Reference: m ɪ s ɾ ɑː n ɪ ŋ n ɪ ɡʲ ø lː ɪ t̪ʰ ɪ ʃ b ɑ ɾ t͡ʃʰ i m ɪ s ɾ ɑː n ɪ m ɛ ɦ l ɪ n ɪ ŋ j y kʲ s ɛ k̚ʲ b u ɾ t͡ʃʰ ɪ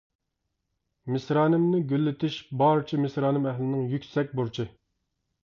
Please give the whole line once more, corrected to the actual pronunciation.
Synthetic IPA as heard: m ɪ s ɾ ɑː n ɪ m n ɪ ɡʲ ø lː ɪ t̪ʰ ɪ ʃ b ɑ ɾ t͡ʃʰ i m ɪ s ɾ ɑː n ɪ m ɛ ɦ l ɪ n ɪ ŋ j y kʲ s ɛ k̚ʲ b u ɾ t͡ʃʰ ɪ